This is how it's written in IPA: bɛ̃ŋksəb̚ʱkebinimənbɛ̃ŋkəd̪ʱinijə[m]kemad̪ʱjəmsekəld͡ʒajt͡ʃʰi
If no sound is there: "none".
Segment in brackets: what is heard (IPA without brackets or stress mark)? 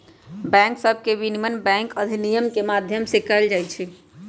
m